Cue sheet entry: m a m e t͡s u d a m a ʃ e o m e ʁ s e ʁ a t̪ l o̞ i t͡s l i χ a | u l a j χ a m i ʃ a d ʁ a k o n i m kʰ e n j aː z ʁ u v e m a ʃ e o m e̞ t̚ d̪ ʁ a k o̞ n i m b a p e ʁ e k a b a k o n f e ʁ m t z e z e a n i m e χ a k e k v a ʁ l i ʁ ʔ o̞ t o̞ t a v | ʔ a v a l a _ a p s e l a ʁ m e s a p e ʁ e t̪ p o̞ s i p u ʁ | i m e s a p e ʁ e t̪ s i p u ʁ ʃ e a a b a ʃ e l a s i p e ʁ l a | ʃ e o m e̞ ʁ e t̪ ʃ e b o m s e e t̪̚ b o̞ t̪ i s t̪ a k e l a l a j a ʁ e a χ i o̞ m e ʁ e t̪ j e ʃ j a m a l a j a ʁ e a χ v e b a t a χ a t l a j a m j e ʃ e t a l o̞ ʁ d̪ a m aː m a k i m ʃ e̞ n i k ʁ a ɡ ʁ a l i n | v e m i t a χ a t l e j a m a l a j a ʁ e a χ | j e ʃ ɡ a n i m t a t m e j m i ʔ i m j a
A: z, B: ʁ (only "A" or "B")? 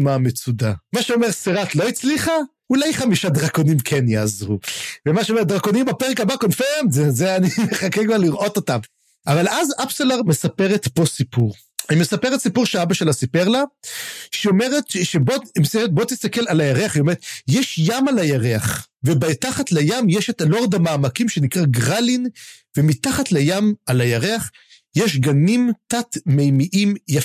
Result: A